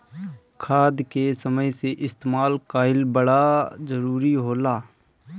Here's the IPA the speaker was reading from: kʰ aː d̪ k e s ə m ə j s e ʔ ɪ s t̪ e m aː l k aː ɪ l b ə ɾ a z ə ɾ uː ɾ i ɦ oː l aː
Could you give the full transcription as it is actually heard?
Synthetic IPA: kʰ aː d̪ k e s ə m ə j s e ʔ ɪ s t̪ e m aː l k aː ɪ l b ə ɽ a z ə ɾ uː ɾ i ɦ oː l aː

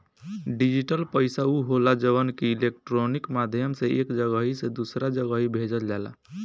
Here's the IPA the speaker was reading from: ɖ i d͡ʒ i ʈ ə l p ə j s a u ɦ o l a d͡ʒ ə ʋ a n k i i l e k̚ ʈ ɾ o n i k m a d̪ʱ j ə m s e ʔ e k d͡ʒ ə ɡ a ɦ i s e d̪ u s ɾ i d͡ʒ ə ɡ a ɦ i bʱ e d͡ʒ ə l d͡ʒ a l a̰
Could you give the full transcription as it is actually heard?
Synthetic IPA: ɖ i d͡ʒ i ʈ ə l p ə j s a u ɦ o l a d͡ʒ ə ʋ ə n k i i l e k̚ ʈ ɾ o n i k m a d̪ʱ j ə m s e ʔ e k d͡ʒ ə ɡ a ɦ i s e d̪ u s ɾ a d͡ʒ ə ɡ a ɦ i bʱ e d͡ʒ ə l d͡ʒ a l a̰

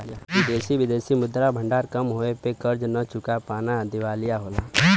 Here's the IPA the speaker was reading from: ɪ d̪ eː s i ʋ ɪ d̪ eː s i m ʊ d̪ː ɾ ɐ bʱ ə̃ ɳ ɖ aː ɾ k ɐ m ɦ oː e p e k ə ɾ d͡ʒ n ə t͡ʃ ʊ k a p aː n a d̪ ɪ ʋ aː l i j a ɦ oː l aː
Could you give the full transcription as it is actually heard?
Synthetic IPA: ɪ d̪ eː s i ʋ ɪ d̪ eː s i m ʊ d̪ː ɾ a bʱ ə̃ ɳ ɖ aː ɾ k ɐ m ɦ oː e p e k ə ɾ d͡ʒ n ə t͡ʃ ʊ k a p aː n a d̪ ɪ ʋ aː l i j a ɦ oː l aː

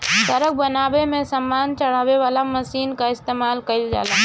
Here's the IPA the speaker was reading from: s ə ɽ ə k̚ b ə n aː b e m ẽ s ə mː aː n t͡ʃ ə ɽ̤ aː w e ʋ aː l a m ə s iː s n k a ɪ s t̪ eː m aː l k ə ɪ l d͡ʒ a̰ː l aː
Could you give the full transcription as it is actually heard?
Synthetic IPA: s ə ɾ ə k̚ b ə n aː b e m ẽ s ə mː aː n t͡ʃ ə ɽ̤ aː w e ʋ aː l a m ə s iː n k a ɪ s t̪ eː m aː l k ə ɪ l d͡ʒ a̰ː l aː

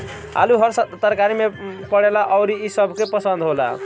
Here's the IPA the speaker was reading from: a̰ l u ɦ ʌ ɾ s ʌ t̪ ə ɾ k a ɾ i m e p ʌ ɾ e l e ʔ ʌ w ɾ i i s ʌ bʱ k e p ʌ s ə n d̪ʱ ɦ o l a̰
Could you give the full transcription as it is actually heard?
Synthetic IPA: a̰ l u ɦ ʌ ɾ s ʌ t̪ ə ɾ k a ɾ i m e p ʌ ɽ e l a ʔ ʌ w ɾ i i s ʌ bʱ k e p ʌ s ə n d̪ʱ ɦ o l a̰

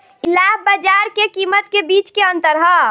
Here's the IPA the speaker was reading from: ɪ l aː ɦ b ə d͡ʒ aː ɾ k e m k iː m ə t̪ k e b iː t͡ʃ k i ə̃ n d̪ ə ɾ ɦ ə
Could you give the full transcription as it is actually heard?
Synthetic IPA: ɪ l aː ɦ b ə d͡ʒ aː ɾ k e k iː m ə t̪ k e b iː t͡ʃ k e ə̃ n t̪ ə ɾ ɦ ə

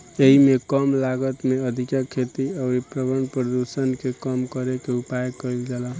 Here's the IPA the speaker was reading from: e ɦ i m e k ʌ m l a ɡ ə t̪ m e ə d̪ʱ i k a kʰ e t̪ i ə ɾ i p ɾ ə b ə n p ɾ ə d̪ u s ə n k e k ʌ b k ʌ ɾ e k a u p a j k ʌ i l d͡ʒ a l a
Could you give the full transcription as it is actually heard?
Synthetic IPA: e ɦ i m e k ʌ m l a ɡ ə t̪ m e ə d̪ʱ i k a kʰ e t̪ i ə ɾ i p ɾ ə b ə n p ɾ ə d̪ u s ə n k e k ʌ m k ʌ ɾ e k e u p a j k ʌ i l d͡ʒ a l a

